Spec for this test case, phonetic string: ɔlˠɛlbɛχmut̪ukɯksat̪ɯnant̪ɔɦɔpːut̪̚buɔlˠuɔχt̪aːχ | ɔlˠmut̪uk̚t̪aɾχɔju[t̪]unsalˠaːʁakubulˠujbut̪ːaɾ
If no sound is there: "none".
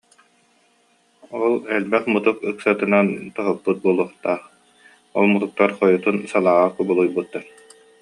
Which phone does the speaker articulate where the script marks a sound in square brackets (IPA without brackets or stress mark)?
t̪